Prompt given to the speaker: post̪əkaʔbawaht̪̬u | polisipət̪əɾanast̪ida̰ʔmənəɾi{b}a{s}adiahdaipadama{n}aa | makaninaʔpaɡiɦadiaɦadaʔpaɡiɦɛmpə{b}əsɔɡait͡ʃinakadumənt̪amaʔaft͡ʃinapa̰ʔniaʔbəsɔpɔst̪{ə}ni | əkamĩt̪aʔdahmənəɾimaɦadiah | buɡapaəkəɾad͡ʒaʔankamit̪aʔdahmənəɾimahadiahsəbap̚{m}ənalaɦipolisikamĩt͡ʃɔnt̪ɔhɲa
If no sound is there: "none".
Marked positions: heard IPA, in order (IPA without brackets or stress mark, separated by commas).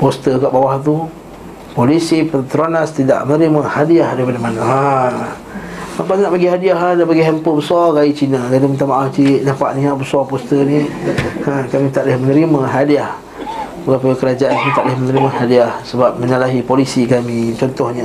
m, h, n, b, ə, m